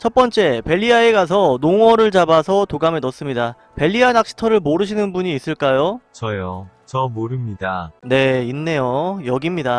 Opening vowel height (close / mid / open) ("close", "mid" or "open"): mid